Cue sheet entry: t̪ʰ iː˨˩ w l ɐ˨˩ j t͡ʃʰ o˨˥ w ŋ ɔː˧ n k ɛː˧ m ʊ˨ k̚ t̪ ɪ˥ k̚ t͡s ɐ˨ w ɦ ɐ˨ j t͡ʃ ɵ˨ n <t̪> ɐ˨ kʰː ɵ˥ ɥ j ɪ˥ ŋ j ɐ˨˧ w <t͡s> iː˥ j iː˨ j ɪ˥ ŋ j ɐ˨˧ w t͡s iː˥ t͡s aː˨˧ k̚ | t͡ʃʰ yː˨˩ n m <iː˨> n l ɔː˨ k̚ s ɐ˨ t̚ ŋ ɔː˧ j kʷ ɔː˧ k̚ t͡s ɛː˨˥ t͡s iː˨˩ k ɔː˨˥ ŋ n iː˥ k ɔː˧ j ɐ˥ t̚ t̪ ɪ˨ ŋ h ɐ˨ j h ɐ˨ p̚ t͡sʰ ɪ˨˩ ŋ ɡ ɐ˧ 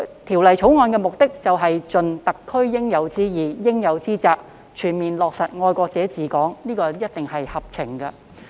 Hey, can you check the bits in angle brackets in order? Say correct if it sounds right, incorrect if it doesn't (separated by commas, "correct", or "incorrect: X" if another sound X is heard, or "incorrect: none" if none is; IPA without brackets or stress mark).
correct, correct, correct